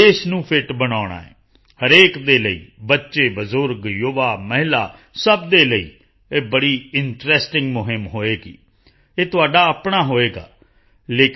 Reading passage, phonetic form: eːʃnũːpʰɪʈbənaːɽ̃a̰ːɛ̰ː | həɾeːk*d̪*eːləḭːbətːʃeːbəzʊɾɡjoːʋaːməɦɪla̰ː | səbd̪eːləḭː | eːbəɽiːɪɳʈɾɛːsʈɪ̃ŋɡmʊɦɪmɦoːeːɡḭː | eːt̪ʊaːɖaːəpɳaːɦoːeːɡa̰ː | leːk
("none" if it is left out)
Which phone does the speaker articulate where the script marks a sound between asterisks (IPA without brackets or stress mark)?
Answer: d̪